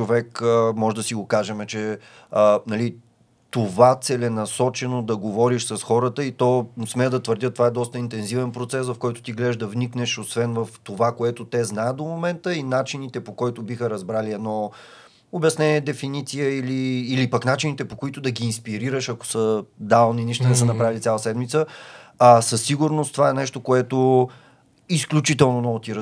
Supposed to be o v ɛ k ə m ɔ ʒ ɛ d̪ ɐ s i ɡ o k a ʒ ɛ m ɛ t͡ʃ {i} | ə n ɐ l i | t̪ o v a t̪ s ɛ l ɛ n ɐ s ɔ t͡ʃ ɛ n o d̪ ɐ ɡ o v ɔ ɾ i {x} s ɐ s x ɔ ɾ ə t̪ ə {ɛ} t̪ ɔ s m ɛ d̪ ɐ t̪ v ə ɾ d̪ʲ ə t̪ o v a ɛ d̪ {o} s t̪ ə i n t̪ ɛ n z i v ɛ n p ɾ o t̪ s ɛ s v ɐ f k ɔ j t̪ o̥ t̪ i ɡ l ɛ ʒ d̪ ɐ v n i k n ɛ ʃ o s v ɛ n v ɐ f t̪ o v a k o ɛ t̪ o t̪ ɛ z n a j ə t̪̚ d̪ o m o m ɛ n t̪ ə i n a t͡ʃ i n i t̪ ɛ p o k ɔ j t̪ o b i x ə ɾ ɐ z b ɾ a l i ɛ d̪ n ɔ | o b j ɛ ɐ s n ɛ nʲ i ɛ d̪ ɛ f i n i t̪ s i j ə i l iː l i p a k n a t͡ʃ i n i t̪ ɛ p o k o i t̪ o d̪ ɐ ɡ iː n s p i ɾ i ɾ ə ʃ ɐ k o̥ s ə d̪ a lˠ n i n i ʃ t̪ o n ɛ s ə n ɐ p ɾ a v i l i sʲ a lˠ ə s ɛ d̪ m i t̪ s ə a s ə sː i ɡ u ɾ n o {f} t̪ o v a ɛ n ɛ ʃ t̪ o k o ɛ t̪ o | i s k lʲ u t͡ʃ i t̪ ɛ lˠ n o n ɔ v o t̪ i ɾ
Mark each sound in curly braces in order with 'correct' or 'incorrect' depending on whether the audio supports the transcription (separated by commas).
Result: incorrect, incorrect, incorrect, incorrect, incorrect